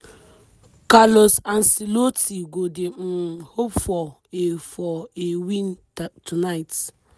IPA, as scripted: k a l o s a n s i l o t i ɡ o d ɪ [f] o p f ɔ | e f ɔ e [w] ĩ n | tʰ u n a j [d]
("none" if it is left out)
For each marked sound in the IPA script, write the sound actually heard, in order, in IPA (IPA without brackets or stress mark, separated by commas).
h, w, t